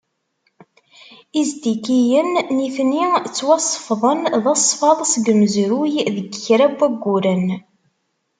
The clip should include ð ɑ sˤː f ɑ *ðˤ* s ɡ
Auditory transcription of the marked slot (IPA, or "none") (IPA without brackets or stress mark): ðˤ